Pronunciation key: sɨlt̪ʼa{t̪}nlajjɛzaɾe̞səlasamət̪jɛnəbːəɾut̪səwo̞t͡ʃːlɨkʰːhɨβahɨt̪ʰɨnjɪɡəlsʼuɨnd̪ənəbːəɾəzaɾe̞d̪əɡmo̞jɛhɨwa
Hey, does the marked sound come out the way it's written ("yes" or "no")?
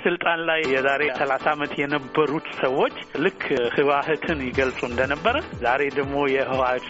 no